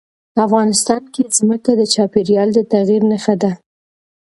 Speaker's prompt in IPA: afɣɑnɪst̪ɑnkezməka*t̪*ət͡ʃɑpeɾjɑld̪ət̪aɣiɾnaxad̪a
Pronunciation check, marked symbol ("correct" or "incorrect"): incorrect